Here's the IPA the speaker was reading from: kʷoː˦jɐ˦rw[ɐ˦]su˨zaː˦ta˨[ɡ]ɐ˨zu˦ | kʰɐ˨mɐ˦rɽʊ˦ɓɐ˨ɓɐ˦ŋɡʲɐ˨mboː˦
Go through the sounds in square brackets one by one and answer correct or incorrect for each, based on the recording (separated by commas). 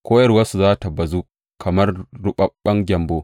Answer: correct, incorrect